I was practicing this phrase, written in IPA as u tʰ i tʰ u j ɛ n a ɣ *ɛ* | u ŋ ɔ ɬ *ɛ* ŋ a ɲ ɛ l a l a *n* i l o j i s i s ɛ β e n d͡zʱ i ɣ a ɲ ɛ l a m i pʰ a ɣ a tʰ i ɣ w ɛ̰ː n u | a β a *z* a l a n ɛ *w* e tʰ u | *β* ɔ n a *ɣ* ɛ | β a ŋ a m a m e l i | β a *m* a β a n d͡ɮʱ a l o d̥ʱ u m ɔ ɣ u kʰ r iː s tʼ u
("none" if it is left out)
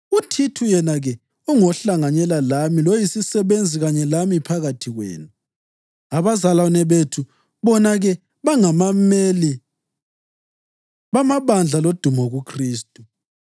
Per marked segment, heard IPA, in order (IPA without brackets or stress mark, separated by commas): ɛ, a, m, z, β, β, ɣ, m